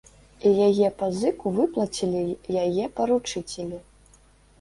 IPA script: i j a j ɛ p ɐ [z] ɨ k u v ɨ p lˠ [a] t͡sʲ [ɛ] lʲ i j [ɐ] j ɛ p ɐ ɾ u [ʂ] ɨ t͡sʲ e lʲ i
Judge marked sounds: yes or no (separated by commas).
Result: yes, no, no, no, no